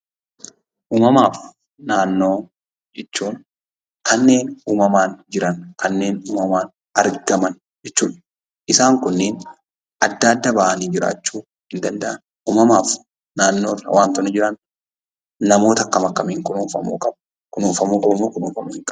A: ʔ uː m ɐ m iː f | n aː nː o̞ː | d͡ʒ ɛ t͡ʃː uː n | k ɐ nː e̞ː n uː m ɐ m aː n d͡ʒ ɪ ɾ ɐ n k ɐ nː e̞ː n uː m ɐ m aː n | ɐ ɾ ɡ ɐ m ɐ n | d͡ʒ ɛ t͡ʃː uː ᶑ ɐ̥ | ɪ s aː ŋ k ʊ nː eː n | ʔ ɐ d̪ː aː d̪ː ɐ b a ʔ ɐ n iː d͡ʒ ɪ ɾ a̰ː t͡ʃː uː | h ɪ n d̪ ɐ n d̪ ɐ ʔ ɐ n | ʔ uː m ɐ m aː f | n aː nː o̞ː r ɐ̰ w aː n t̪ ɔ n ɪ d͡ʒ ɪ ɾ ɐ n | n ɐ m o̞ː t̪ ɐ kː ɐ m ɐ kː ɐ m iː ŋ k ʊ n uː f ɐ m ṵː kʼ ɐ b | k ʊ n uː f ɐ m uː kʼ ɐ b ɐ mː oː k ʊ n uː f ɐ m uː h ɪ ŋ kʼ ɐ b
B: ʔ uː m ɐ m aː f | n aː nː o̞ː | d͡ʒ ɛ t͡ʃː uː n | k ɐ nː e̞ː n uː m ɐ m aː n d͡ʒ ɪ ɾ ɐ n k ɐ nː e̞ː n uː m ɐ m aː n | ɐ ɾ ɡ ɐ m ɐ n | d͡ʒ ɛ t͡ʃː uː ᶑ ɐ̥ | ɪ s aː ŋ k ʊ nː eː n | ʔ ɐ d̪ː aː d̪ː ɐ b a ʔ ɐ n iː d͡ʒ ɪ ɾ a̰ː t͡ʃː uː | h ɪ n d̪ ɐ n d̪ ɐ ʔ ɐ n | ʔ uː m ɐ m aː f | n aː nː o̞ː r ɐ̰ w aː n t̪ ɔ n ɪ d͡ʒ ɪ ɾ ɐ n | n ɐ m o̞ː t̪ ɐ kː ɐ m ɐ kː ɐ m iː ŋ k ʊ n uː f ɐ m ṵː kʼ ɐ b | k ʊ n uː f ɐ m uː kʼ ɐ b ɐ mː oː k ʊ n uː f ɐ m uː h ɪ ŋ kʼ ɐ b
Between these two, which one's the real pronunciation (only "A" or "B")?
B